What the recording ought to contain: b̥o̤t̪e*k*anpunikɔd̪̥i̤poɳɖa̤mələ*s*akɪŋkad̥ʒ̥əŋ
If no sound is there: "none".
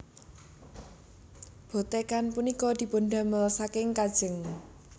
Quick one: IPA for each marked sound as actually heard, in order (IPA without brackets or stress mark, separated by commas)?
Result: k, s